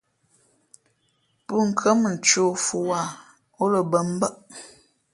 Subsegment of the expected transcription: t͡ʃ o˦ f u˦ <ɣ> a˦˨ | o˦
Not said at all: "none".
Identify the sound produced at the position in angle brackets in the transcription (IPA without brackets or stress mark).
w